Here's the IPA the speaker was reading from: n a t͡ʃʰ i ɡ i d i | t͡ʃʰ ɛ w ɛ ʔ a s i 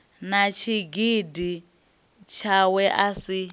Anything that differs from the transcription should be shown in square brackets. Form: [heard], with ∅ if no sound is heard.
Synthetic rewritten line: n a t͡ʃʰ i ɡ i d i | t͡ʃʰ [a] w ɛ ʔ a s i